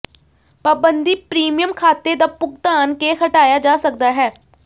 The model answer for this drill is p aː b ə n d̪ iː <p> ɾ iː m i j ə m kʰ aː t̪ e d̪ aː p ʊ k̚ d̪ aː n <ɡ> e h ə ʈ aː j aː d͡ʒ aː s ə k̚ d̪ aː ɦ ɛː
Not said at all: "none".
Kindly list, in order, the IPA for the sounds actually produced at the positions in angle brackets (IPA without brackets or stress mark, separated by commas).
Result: p, k